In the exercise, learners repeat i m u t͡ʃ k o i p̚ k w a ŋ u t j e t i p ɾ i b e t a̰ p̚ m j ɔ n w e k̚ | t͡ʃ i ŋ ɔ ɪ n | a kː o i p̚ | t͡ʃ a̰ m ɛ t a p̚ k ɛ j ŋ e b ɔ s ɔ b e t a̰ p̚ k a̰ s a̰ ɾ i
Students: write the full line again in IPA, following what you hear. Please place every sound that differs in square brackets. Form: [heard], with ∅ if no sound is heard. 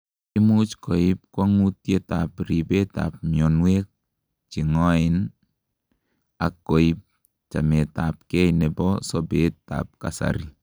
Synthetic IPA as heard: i m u t͡ʃ k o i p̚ k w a ŋ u t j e t [a] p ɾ i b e t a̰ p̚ m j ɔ n w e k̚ | t͡ʃ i ŋ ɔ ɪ n | a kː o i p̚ | t͡ʃ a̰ m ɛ t a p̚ k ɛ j [n] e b ɔ s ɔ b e t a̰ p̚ k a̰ s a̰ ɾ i